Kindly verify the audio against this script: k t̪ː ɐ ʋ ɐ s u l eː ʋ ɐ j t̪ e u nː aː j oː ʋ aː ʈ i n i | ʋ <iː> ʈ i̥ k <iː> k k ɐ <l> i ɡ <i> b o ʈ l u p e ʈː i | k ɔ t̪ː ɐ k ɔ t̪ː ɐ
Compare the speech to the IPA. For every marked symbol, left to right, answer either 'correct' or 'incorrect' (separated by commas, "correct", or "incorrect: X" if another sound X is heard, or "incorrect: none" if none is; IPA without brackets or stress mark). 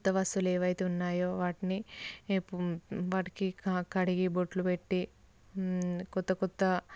incorrect: aː, incorrect: i, incorrect: ɽ, correct